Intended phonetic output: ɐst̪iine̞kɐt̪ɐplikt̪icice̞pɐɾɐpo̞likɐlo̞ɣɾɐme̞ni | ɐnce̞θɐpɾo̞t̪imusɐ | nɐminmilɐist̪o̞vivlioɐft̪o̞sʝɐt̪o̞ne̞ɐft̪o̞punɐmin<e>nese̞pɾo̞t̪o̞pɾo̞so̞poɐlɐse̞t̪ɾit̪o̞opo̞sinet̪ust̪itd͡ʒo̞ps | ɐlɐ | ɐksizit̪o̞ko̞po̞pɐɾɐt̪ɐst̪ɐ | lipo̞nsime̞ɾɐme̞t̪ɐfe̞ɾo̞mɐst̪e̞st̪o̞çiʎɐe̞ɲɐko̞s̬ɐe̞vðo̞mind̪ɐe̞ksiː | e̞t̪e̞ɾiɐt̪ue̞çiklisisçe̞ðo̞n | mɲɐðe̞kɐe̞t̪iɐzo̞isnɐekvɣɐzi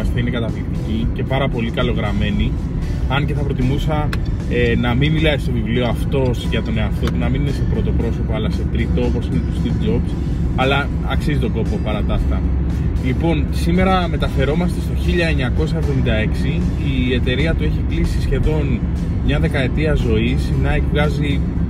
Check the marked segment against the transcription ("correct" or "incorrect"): incorrect